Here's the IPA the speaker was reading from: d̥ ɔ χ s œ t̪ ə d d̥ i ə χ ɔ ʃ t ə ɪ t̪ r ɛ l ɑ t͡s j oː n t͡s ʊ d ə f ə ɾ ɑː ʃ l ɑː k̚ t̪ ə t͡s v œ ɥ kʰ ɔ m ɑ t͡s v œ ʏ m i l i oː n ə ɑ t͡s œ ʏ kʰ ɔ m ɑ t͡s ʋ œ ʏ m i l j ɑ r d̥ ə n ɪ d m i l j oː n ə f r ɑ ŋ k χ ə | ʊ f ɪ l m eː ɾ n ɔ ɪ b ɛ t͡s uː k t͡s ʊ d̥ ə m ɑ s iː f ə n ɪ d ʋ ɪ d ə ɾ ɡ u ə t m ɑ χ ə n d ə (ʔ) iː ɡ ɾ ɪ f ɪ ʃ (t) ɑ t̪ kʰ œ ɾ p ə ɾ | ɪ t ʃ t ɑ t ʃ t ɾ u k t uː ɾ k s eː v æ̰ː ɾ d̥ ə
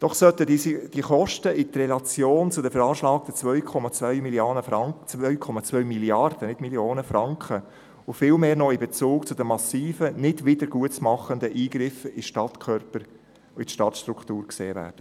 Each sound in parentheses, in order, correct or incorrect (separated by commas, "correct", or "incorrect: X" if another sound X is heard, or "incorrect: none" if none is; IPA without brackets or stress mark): correct, correct